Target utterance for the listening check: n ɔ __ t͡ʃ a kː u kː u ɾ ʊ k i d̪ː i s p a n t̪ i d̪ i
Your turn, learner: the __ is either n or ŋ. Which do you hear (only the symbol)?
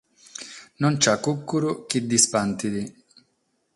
n